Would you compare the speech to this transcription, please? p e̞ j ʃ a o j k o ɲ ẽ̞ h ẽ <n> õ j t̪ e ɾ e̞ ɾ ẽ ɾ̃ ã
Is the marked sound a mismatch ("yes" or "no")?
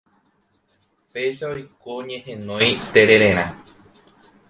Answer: no